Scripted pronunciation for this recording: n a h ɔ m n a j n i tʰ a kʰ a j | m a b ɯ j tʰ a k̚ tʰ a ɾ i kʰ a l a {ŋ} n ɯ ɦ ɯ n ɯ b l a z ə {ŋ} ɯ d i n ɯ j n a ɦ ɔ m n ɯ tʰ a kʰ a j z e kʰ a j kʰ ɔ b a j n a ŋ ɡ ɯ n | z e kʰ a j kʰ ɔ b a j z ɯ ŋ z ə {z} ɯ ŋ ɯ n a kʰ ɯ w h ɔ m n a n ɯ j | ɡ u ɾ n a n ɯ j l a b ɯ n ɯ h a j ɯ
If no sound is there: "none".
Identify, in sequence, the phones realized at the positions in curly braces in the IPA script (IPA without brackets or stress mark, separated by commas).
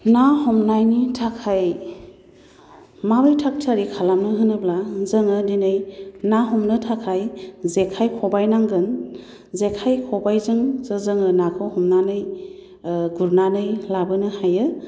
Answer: m, ŋ, z